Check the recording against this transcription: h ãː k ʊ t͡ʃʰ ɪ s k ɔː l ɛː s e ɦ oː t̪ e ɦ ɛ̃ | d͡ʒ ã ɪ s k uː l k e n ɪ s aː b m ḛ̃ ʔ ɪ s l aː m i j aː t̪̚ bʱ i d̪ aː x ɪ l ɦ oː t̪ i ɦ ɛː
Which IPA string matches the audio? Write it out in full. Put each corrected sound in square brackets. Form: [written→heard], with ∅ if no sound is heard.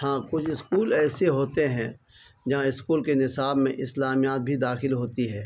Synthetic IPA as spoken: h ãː k ʊ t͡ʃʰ ɪ s k [ɔː→uː] l ɛː s e ɦ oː t̪ e ɦ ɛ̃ | d͡ʒ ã ɪ s k uː l k e n ɪ s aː b m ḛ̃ ʔ ɪ s l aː m i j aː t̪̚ bʱ i d̪ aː x ɪ l ɦ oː t̪ i ɦ ɛː